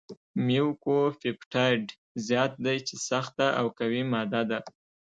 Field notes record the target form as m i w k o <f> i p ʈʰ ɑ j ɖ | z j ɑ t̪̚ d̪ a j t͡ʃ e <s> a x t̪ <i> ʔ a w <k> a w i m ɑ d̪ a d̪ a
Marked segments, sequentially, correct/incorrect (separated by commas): correct, correct, incorrect, correct